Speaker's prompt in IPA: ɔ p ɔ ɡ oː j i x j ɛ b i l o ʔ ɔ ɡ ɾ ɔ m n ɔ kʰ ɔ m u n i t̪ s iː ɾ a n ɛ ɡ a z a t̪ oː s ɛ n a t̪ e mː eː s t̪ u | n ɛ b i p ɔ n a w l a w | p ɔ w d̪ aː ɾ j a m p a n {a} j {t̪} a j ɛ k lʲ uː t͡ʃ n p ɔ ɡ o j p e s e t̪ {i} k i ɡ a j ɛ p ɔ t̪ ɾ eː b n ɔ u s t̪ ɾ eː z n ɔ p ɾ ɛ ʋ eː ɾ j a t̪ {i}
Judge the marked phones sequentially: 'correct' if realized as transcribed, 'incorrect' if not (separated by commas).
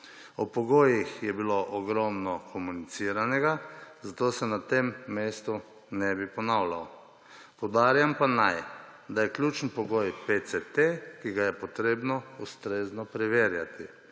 correct, incorrect, incorrect, correct